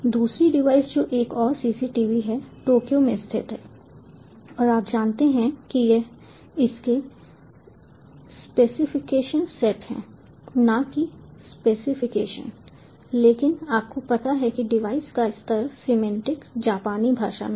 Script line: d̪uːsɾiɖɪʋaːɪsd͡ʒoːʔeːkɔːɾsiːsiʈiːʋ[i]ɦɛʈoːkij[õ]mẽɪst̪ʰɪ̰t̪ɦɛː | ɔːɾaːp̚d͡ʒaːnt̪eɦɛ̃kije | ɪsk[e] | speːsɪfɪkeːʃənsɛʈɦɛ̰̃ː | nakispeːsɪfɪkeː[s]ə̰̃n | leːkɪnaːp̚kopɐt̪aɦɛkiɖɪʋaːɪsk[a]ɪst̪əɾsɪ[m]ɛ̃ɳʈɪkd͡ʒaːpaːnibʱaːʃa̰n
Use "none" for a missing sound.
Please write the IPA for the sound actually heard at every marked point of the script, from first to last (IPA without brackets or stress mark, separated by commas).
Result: i, o, e, ʃ, a, m